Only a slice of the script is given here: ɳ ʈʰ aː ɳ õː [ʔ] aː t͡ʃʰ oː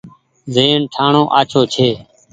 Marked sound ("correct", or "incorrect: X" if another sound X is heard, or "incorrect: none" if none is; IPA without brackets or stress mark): correct